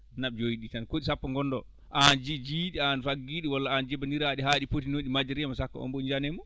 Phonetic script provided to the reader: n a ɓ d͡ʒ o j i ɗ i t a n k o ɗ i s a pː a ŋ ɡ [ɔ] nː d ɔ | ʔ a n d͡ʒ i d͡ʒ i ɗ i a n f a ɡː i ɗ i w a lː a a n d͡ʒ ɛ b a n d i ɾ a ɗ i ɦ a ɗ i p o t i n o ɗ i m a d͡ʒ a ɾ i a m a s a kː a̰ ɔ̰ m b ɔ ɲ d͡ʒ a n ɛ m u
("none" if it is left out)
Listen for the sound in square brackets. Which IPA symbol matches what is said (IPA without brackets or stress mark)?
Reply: ɔ